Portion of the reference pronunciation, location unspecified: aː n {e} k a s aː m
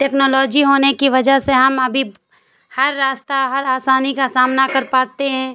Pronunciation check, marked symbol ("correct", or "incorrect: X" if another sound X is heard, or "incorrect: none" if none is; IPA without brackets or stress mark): incorrect: i